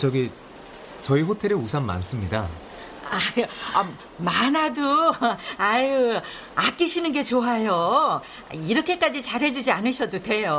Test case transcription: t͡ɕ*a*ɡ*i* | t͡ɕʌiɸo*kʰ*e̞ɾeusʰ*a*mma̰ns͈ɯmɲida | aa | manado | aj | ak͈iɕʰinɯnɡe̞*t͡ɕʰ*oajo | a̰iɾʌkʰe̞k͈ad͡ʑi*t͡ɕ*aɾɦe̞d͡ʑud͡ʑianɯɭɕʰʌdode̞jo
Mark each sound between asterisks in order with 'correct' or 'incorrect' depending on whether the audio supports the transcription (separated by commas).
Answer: incorrect, correct, incorrect, correct, incorrect, correct